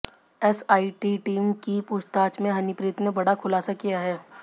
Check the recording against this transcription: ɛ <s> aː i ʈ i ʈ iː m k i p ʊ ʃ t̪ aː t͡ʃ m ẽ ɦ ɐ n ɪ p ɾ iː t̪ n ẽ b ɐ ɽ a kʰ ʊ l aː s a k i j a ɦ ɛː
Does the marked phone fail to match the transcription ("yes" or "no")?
no